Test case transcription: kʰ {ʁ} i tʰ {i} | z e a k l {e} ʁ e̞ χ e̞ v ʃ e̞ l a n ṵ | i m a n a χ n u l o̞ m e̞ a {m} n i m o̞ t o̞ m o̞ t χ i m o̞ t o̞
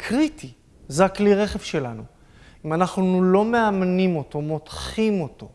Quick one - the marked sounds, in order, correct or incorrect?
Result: correct, correct, incorrect: i, correct

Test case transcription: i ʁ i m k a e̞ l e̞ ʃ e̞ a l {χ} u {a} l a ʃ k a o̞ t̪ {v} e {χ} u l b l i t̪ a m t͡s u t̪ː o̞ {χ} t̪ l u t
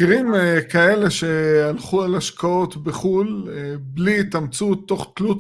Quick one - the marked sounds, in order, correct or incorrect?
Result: correct, correct, incorrect: b, correct, correct

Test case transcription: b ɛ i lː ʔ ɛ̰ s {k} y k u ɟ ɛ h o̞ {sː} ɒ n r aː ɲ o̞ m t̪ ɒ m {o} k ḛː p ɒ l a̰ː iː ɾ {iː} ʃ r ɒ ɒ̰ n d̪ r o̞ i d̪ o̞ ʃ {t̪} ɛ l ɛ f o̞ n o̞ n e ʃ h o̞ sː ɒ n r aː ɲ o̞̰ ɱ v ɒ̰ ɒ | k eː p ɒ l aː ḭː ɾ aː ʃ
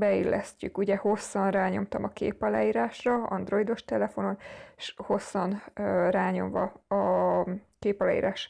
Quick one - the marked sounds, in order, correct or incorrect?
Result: incorrect: c, correct, incorrect: ɒ, incorrect: aː, correct

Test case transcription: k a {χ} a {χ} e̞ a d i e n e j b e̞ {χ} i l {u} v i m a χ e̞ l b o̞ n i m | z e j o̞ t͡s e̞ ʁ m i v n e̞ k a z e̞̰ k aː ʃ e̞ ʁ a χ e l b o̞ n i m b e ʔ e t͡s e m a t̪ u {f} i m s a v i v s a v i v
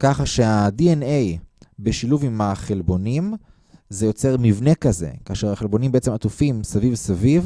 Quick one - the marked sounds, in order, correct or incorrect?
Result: correct, incorrect: ʃ, incorrect: ʃ, correct, correct

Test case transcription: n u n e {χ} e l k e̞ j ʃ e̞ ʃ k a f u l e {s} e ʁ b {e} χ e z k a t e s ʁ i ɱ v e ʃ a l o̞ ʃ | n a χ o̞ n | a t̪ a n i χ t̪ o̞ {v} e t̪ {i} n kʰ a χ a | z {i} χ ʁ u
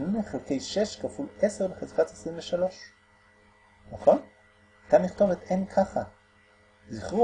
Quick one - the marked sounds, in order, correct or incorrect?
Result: correct, correct, correct, correct, incorrect: e, correct

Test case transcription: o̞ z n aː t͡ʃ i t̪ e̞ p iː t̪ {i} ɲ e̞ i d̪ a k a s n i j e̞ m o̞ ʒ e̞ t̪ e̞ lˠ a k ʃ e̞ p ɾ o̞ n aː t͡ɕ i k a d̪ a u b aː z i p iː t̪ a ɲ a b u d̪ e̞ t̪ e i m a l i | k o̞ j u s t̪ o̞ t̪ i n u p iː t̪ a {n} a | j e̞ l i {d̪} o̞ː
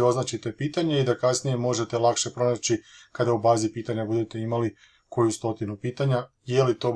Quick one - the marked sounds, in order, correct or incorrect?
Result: incorrect: a, incorrect: ɲ, incorrect: t̪

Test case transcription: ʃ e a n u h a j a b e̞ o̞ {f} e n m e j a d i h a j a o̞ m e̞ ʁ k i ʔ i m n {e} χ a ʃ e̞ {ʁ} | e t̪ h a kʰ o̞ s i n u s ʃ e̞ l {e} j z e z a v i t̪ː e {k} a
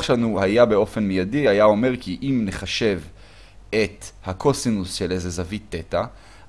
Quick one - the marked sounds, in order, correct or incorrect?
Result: correct, correct, incorrect: v, correct, incorrect: t

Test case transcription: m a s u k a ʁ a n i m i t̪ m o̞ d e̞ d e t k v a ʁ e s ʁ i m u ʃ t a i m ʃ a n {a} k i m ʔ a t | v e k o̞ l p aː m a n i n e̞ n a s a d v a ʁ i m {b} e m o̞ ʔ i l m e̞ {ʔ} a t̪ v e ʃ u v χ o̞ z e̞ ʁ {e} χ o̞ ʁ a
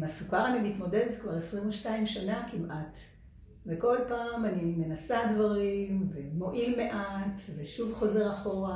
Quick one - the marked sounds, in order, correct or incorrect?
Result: correct, incorrect: v, correct, incorrect: a

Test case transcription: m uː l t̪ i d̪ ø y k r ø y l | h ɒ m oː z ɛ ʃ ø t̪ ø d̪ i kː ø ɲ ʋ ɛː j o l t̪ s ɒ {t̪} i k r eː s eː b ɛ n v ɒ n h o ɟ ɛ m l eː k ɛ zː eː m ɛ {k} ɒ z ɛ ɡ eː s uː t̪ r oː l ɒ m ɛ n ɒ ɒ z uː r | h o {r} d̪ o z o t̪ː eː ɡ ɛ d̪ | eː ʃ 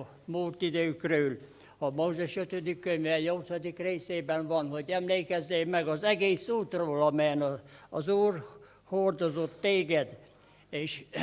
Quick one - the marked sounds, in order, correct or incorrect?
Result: incorrect: d̪, incorrect: ɡ, correct

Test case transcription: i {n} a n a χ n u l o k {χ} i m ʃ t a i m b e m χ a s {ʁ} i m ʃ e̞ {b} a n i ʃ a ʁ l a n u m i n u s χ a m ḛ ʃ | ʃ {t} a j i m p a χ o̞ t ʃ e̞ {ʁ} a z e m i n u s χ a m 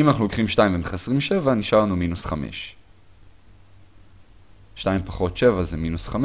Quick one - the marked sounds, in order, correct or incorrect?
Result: incorrect: m, correct, correct, incorrect: v, correct, incorrect: v

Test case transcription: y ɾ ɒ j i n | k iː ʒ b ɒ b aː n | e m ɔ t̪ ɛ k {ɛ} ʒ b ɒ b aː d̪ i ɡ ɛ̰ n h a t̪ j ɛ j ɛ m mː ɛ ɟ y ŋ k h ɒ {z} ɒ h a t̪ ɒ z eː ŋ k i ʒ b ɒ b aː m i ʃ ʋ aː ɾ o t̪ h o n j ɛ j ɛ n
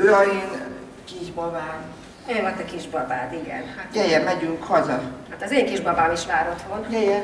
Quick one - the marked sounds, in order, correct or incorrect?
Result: incorrect: i, correct

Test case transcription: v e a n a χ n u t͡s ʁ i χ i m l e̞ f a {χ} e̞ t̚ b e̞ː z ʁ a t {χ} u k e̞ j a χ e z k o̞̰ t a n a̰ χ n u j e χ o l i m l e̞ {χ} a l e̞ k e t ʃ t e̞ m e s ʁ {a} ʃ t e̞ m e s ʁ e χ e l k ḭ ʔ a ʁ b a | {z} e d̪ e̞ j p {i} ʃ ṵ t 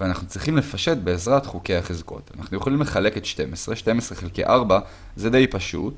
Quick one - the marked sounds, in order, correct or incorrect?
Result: incorrect: ʃ, correct, correct, incorrect: e, correct, incorrect: a

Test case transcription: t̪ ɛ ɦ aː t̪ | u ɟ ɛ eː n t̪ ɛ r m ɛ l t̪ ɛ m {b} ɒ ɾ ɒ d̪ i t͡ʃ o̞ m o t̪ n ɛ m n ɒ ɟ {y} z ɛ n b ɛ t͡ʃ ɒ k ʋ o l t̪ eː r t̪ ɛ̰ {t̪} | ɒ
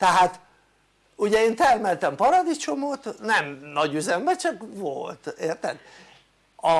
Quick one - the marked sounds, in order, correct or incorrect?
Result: incorrect: p, correct, incorrect: d̪

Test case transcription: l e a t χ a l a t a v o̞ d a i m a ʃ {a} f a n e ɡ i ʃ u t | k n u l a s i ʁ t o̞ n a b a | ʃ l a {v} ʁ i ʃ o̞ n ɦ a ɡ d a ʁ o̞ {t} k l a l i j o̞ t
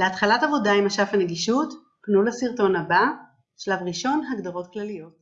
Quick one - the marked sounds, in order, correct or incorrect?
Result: correct, correct, correct

